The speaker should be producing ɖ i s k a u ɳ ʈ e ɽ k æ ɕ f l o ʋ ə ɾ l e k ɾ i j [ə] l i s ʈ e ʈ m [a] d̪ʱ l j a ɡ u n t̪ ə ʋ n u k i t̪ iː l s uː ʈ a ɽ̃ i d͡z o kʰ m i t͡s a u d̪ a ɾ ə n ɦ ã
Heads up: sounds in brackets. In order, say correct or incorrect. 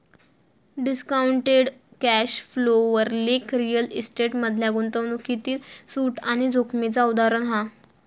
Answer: correct, incorrect

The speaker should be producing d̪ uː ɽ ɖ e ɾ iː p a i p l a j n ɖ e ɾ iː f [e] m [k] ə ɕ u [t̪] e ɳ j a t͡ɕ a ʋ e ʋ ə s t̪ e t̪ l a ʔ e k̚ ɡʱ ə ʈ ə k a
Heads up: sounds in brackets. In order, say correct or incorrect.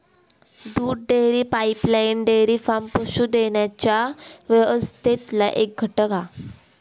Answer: incorrect, incorrect, incorrect

